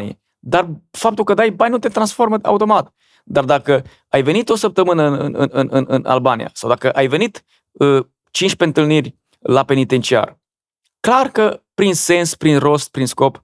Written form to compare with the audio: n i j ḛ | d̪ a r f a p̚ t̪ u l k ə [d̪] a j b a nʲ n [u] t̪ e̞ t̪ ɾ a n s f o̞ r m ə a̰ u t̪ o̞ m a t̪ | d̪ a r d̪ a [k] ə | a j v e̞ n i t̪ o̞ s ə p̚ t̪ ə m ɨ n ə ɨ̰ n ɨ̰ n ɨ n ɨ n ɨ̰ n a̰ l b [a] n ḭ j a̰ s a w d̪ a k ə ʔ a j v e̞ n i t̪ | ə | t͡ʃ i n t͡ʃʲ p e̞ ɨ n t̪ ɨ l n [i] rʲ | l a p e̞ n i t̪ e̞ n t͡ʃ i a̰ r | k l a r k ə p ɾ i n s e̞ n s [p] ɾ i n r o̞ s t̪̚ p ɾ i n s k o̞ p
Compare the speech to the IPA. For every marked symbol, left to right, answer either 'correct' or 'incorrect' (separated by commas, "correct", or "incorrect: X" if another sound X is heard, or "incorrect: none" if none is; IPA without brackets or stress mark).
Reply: correct, correct, correct, correct, correct, correct